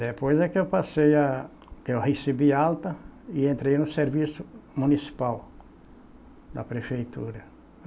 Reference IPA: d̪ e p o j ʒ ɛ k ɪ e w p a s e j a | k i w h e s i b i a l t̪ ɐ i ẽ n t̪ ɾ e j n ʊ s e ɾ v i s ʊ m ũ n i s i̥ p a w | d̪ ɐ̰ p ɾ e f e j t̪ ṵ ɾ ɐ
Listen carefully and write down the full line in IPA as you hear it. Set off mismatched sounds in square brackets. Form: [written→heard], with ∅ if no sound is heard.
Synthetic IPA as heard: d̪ e p o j [ʒ→z] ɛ k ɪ e w p a s e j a | k [i→e] w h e s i b i a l t̪ ɐ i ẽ n t̪ ɾ e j n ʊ s e ɾ v i s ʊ m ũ n i s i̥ p a w | d̪ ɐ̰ p ɾ e f e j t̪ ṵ ɾ ɐ